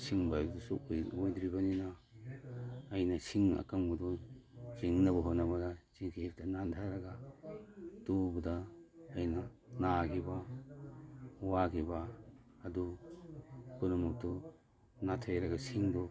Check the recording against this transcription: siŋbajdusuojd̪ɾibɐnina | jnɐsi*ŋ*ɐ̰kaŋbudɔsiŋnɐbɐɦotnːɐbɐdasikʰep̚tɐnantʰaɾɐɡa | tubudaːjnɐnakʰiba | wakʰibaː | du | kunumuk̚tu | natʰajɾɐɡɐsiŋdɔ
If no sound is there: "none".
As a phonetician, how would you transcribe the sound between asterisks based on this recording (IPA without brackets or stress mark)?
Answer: ŋ